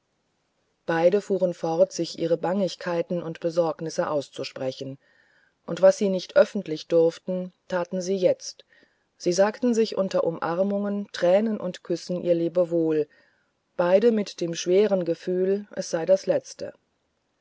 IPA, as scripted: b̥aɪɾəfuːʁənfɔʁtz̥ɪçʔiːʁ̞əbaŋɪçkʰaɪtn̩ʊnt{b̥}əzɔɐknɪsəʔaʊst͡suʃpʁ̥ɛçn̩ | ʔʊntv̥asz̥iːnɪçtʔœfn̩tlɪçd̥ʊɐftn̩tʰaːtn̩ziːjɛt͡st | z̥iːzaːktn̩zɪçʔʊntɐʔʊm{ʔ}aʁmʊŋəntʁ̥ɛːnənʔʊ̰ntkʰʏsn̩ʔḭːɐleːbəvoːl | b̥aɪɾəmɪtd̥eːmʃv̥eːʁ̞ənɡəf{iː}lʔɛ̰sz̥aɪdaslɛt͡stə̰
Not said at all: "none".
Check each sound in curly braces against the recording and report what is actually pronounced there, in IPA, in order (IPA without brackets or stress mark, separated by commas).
b̥, ʔ, yː